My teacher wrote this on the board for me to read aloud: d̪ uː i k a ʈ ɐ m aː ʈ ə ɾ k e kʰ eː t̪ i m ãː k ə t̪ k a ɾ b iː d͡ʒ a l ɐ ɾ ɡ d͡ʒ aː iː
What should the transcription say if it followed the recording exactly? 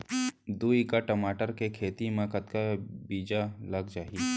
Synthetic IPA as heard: d̪ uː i k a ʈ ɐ m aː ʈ ə ɾ k e kʰ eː t̪ i m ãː k ə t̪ k a b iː d͡ʒ a l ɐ ɡ d͡ʒ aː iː